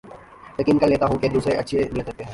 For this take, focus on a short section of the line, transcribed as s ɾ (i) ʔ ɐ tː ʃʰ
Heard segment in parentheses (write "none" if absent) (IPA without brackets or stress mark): e